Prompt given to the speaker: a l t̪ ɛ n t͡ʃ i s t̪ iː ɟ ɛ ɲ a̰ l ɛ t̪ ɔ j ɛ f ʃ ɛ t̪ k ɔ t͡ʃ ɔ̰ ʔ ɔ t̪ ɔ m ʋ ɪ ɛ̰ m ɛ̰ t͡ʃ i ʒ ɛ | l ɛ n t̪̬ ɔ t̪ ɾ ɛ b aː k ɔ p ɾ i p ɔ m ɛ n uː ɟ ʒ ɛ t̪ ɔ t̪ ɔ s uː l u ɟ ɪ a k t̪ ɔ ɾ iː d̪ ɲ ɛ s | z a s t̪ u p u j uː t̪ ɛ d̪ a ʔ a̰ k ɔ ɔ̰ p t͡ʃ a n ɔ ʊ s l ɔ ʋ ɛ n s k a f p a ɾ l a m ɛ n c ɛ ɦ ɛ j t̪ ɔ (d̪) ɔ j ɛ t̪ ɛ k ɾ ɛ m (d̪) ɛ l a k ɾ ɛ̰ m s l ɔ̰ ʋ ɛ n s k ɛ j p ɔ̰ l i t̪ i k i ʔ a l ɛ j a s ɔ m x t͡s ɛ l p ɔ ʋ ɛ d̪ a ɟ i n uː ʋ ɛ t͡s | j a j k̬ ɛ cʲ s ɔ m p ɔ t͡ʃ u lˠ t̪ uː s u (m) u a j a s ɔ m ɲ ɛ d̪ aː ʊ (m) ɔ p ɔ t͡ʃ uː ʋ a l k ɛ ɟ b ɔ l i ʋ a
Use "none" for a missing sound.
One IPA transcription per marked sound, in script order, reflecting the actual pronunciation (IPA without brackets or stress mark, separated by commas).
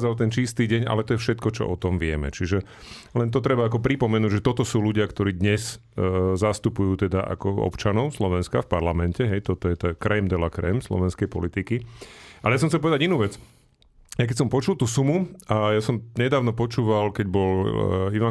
t̪, d̪, m, n